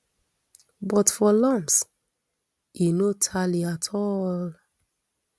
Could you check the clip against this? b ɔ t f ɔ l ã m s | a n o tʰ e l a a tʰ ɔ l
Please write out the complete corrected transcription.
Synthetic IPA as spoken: b ɔ t f ɔ l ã m s | i n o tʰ a l i a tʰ ɔ l